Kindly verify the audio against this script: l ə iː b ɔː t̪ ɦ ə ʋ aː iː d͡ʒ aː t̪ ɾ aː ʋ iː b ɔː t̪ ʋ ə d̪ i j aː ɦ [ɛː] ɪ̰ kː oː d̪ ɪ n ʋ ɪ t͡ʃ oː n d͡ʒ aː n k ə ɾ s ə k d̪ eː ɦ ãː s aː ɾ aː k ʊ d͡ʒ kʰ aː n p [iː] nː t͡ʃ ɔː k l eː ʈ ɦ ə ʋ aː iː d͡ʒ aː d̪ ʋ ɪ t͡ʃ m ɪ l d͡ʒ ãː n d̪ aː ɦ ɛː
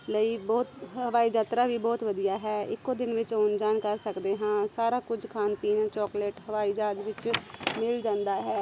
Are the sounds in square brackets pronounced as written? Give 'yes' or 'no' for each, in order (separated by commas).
yes, yes